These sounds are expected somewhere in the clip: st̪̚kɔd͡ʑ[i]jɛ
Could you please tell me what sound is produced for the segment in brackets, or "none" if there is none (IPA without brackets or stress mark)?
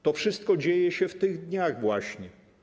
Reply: e